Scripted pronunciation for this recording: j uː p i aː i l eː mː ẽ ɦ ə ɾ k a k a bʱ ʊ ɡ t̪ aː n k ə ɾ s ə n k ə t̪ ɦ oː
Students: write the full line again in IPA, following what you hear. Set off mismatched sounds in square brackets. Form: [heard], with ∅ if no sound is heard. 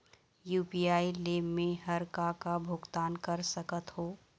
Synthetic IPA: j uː p i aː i l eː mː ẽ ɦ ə ɾ k a k a bʱ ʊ ɡ t̪ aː n k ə ɾ s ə [∅] k ə t̪ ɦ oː